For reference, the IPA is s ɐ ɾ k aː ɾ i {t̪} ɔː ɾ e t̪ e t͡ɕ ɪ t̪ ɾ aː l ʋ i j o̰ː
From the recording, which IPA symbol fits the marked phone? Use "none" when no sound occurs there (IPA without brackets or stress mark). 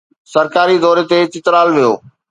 d̪